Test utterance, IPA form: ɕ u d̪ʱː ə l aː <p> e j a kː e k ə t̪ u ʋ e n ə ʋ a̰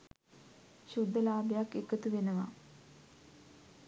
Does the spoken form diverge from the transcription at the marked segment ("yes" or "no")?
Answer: yes